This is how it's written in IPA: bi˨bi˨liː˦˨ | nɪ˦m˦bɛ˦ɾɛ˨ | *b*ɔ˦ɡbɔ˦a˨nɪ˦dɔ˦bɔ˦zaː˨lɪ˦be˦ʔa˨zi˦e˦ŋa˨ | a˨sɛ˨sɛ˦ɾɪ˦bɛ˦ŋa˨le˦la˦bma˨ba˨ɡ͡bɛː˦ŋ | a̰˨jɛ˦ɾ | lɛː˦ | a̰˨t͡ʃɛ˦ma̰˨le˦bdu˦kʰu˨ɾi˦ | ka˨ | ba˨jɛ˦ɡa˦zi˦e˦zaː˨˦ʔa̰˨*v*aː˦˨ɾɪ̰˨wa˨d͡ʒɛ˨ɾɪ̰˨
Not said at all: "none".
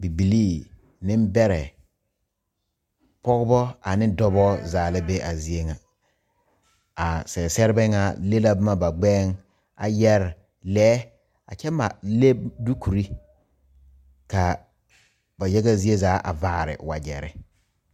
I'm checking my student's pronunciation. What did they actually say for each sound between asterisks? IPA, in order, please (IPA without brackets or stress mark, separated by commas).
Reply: p, v